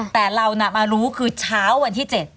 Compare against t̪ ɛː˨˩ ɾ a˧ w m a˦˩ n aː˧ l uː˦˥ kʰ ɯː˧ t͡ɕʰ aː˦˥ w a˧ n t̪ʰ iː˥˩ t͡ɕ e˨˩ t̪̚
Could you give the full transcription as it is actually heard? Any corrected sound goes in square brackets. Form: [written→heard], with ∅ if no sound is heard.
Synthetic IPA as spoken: t̪ ɛː˨˩ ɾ a˧ w [m→n] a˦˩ [n→m] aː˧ [l→ɾ] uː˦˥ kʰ ɯː˧ t͡ɕʰ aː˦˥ [w→wː] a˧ n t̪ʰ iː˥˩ t͡ɕ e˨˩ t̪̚